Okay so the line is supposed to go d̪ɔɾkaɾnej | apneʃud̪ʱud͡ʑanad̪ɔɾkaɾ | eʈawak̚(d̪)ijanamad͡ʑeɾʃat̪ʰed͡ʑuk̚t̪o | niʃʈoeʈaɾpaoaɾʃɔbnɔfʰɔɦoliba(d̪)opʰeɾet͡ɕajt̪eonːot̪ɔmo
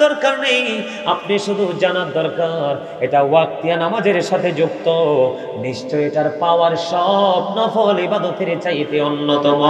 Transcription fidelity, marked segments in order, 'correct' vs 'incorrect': incorrect, correct

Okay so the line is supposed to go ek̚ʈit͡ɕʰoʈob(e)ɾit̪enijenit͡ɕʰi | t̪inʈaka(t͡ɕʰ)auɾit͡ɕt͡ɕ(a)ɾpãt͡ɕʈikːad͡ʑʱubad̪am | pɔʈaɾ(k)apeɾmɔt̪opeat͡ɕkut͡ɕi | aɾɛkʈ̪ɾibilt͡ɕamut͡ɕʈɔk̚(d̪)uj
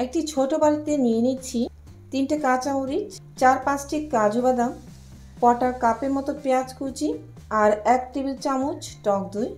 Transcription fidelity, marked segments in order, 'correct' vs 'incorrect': incorrect, incorrect, correct, correct, correct

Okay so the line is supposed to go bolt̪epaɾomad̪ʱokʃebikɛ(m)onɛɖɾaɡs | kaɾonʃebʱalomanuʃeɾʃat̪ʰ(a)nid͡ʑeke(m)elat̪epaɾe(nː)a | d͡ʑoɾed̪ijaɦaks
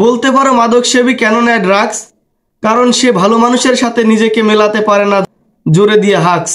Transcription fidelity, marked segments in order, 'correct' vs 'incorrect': incorrect, incorrect, correct, incorrect

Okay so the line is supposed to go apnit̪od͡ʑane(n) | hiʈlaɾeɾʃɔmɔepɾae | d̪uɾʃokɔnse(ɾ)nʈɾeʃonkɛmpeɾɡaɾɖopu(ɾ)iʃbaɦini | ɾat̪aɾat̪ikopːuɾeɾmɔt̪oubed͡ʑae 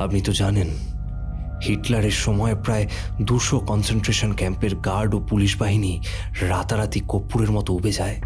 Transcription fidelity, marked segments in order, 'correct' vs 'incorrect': correct, incorrect, incorrect

